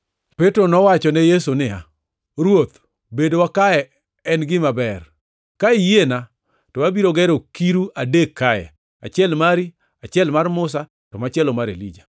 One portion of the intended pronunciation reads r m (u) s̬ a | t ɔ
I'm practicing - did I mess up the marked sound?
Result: yes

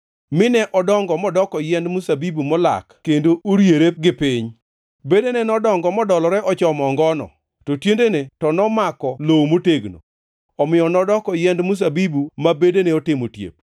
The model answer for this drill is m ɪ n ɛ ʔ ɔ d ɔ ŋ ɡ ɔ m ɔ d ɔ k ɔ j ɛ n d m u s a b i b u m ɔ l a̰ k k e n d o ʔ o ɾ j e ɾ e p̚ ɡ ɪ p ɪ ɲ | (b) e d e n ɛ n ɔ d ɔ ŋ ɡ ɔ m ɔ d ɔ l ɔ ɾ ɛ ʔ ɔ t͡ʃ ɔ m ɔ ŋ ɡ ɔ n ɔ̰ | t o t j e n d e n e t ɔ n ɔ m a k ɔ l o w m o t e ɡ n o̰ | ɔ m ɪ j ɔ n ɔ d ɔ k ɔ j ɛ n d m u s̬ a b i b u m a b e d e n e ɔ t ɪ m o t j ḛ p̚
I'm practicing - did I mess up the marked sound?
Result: no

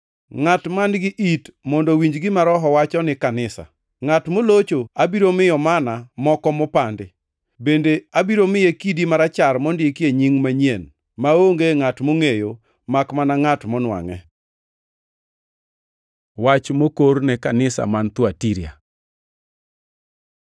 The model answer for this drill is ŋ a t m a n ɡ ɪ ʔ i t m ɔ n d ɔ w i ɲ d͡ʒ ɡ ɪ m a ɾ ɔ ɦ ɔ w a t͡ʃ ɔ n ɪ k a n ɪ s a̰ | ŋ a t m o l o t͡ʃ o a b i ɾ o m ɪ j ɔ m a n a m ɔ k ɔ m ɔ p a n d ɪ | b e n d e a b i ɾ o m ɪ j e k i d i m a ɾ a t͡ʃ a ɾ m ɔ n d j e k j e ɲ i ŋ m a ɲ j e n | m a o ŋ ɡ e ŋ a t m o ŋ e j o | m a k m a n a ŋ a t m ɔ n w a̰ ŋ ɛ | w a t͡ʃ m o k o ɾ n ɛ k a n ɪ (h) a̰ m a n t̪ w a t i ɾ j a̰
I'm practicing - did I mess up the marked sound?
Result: yes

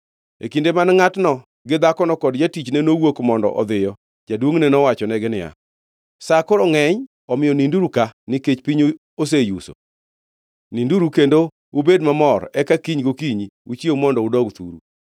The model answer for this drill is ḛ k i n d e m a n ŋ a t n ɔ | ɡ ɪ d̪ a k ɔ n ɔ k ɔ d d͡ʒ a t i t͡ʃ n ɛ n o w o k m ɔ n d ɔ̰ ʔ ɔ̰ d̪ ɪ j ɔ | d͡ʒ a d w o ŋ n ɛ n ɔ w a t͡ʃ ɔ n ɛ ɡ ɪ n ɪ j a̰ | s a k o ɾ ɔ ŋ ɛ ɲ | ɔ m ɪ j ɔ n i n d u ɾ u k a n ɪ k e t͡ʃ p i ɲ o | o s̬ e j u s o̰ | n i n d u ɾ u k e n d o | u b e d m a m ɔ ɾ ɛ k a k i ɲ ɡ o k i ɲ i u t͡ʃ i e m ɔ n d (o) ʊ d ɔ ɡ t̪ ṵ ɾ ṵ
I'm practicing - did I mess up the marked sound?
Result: yes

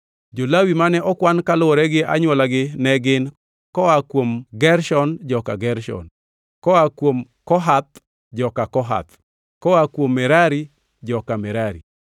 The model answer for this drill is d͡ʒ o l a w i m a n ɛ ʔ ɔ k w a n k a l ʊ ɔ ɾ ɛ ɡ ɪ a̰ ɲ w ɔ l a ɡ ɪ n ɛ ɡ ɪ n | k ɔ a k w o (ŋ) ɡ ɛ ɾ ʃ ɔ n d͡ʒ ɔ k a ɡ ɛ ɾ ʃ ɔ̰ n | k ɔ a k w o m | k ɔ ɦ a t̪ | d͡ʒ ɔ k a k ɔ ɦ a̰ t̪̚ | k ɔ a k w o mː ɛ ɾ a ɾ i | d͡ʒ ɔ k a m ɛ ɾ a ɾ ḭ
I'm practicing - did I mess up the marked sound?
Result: yes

